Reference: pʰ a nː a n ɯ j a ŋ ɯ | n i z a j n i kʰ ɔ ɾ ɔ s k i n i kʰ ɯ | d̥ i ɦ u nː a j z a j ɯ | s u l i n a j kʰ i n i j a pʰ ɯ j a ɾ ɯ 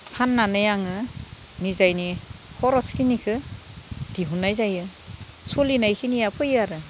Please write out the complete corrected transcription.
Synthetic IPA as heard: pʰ a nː a n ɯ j a ŋ ɯ | n i z a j n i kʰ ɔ ɾ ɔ s k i n i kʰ ɯ | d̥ i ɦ u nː a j z a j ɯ | s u l i n a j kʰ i n i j a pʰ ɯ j a ɾ ɯ